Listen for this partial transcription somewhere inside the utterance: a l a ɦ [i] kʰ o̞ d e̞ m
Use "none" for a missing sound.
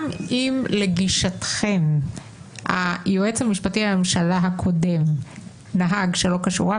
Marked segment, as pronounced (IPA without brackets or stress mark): a